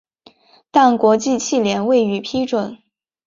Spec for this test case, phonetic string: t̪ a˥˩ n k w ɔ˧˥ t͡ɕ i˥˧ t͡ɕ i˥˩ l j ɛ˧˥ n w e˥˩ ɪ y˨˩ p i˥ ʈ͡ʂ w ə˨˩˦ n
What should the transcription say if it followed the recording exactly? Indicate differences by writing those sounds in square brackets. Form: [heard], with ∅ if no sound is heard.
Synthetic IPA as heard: t̪ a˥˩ n k w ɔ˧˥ t͡ɕ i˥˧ [t͡ɕʰ] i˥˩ l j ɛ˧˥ n w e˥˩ ɪ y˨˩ [pʰ] i˥ ʈ͡ʂ w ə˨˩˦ n